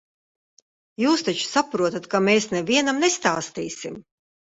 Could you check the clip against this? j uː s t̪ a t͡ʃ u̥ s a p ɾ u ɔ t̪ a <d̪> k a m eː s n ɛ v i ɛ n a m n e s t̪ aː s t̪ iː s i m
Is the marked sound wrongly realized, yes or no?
yes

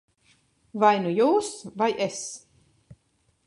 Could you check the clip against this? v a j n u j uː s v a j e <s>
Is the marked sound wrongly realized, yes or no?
no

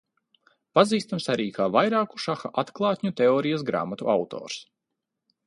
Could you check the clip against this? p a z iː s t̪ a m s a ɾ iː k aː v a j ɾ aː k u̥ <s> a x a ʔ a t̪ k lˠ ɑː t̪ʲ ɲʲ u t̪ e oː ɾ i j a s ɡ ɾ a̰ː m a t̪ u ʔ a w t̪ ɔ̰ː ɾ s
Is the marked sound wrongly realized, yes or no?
yes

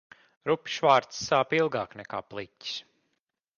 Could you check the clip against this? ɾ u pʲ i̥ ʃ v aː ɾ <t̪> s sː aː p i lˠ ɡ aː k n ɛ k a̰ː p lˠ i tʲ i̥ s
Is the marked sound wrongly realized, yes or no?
no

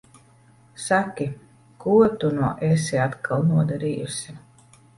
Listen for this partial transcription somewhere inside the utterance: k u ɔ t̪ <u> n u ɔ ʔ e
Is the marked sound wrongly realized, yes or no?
no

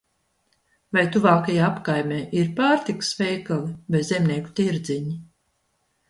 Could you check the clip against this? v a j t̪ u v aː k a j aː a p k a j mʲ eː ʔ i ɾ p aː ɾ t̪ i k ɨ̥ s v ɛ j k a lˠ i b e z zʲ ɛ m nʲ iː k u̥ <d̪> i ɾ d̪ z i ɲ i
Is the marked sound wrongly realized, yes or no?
yes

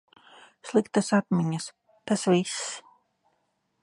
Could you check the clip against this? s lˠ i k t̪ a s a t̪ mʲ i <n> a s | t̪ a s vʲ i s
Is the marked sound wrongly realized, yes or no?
yes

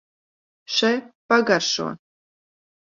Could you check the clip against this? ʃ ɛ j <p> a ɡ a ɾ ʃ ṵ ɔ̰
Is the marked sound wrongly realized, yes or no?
no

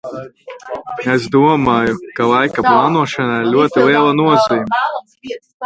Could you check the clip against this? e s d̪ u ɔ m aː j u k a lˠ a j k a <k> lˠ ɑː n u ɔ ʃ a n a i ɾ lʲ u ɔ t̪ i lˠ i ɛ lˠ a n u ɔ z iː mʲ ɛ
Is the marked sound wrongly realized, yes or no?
yes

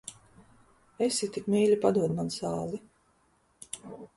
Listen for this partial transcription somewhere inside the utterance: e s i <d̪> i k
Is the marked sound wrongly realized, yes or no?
yes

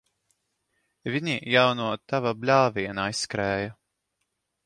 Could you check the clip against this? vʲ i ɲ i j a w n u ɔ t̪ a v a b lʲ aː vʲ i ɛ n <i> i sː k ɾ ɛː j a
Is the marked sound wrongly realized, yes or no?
yes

